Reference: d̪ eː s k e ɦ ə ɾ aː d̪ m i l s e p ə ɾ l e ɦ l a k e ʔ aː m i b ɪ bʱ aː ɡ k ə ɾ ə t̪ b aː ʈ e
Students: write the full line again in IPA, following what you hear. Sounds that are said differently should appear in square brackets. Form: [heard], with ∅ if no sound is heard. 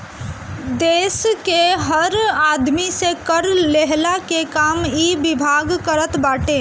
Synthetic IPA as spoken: d̪ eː s k e ɦ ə ɾ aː d̪ m i [∅] s e [k] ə ɾ l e ɦ l a k e [k] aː m i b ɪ bʱ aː ɡ k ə ɾ ə t̪ b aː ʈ e